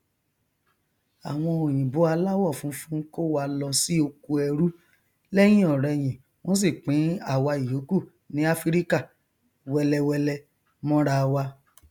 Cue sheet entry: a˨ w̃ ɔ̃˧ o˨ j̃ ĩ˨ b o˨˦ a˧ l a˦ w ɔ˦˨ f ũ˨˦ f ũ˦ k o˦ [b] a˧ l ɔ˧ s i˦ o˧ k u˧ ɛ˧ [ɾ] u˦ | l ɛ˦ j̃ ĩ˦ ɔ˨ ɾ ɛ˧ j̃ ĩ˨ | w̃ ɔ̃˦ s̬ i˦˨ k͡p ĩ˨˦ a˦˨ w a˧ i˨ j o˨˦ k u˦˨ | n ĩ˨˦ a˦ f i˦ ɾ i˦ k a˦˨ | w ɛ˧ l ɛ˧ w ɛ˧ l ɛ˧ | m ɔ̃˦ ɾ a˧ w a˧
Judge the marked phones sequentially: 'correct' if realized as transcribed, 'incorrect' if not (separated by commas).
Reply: incorrect, correct